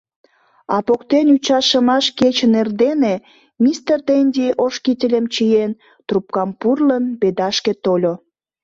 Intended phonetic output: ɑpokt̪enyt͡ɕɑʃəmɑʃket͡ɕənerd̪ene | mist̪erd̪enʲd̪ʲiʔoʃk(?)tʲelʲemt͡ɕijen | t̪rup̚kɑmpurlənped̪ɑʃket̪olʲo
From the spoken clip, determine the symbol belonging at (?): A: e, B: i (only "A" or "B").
B